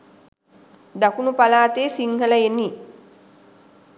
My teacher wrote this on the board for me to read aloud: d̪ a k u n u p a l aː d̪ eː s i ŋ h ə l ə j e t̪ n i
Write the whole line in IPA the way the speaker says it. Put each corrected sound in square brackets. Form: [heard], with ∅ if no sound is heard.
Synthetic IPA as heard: d̪ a k u n u p a l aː [t̪] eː s i ŋ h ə l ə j e [∅] n i